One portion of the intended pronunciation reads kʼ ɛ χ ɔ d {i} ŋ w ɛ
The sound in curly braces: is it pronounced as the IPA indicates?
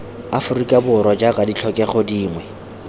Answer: no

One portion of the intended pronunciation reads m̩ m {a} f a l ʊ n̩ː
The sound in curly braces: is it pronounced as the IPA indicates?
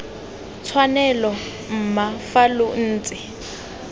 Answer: yes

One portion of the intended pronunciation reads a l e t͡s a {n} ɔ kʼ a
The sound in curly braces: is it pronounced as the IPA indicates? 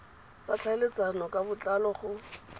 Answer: yes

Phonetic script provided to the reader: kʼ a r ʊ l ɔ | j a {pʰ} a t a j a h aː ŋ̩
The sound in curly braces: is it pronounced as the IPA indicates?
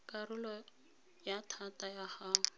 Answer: no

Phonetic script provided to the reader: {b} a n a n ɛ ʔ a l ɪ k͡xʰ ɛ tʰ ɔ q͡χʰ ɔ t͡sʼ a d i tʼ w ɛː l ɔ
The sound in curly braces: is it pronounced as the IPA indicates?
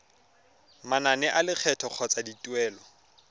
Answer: no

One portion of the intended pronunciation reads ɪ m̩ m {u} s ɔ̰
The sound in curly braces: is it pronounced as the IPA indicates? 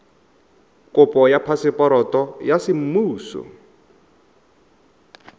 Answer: no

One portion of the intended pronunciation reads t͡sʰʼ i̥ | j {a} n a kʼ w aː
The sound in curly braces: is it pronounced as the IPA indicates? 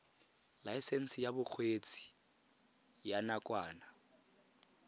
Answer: yes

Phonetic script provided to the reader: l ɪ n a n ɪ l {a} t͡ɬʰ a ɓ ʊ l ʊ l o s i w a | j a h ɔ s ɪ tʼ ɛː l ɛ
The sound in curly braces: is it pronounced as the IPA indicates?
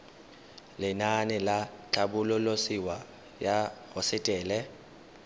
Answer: yes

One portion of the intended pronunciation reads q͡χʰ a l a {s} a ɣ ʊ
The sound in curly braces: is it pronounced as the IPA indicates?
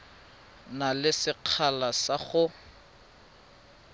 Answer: yes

